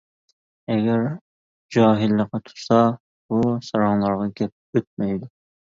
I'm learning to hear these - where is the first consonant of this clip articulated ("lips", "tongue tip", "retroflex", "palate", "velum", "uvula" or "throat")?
velum